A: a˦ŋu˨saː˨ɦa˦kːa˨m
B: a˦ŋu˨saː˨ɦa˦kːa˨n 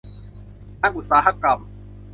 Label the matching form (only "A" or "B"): A